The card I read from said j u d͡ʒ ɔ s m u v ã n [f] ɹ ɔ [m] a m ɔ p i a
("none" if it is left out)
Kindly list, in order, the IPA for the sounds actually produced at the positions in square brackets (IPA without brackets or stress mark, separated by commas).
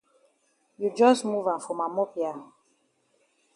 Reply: f, m